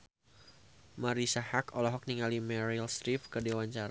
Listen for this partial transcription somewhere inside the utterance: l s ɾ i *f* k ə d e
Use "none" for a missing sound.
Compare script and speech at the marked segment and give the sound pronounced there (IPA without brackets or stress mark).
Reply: f